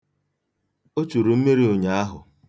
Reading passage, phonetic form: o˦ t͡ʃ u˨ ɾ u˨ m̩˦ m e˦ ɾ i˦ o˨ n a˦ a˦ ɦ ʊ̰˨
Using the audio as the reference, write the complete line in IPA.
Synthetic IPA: o˦ t͡ʃ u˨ ɾ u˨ m̩˦ m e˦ ɾ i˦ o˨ ɲ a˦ a˦ ɦ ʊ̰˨